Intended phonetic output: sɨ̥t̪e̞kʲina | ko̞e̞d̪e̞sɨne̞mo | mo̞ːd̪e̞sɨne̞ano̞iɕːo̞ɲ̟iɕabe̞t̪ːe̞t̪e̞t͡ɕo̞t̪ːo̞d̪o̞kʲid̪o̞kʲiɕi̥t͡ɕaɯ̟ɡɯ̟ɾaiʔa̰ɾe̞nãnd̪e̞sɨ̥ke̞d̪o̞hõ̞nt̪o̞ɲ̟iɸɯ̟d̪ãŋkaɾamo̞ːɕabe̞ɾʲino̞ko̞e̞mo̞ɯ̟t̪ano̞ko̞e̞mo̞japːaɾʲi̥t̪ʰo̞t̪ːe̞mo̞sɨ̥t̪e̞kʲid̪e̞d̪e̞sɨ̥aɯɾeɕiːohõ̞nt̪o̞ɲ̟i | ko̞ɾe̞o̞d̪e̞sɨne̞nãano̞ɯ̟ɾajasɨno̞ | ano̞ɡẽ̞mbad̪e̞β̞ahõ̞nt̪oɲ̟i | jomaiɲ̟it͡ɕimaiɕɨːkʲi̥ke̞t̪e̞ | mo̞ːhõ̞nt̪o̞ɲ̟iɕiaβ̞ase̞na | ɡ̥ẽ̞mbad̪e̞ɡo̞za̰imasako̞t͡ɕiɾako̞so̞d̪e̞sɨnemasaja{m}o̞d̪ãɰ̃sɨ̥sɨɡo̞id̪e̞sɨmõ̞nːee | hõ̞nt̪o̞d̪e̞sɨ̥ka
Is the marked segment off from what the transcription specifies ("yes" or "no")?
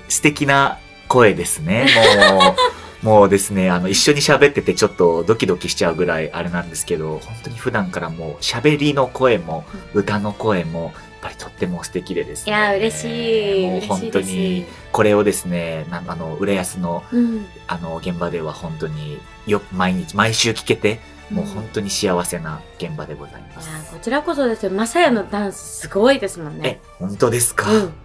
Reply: yes